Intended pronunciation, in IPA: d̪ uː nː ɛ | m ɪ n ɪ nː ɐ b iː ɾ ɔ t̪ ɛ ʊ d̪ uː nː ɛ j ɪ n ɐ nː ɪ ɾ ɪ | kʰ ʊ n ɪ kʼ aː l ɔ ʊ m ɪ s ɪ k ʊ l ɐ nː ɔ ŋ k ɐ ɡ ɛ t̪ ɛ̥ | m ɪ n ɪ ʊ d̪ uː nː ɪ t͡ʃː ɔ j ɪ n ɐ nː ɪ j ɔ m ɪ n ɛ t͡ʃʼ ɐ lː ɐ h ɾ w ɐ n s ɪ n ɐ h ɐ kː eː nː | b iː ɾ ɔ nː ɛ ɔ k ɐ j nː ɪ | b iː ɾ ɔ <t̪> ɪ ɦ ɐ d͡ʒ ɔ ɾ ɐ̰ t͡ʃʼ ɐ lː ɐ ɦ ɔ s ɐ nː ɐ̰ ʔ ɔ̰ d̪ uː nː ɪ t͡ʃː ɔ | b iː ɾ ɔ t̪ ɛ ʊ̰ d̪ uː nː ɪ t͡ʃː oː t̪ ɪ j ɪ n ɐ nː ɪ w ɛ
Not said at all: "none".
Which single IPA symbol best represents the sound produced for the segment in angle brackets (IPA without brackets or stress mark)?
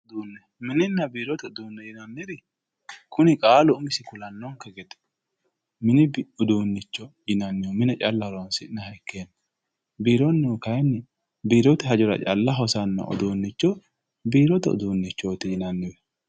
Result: t̪